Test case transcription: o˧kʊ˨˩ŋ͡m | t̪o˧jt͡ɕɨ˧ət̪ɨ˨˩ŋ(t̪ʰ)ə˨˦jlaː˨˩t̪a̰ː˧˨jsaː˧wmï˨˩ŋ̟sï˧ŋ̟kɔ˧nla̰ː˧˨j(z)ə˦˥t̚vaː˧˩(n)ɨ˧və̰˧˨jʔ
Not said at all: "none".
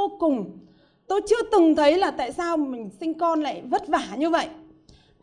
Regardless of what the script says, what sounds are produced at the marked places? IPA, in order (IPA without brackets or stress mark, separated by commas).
t̪ʰ, v, ɲ